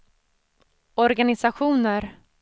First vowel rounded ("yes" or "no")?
yes